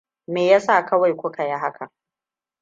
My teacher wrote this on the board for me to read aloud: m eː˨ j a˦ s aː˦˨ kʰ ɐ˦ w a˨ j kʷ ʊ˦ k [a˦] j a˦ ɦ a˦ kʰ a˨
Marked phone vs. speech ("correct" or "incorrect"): incorrect